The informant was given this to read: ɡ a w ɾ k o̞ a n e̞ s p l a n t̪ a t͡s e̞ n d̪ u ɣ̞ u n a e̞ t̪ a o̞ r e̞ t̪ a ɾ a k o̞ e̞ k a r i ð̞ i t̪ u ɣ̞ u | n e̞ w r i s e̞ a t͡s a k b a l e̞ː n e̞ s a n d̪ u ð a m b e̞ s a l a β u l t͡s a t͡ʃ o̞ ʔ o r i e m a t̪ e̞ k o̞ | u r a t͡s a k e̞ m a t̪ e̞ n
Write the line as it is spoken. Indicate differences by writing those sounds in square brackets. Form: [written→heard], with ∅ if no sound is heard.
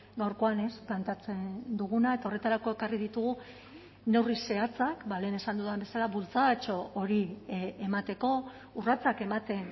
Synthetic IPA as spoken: ɡ a w ɾ k o̞ a n e̞ s p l a n t̪ a t͡s e̞ n d̪ u ɣ̞ u n a e̞ t̪ a o̞ r e̞ t̪ a ɾ a k o̞ e̞ k a r i ð̞ i t̪ u ɣ̞ u | n e̞ w r i s e̞ a t͡s a k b a l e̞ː n e̞ s a n d̪ u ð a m b e̞ s a l a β u l t͡s a t͡ʃ o̞ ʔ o [r→ɾ] i e m a t̪ e̞ k o̞ | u r a t͡s a k e̞ m a t̪ e̞ n